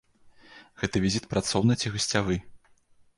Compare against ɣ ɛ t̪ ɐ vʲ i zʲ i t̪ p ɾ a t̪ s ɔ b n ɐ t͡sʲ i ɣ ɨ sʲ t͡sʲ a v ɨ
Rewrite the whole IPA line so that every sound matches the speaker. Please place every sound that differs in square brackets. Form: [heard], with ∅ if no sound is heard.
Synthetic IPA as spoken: ɣ ɛ t̪ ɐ vʲ i zʲ i t̪ p ɾ a t̪ s ɔ [w] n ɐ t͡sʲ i ɣ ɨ sʲ t͡sʲ a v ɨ